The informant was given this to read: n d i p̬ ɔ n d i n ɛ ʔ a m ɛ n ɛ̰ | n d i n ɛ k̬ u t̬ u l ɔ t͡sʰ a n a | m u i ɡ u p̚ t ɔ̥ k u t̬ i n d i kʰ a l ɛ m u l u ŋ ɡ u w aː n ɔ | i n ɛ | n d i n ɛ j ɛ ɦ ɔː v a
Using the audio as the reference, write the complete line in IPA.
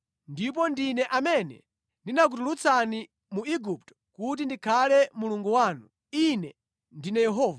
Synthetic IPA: n d i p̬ ɔ n d i n ɛ ʔ a m ɛ n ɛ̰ | n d i n a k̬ u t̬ u l u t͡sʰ a n i | m u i ɡ u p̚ t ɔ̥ k u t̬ i n d i kʰ a l ɛ m u l u ŋ ɡ u w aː n u | i n ɛ | n d i n ɛ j ɛ ɦ ɔː v a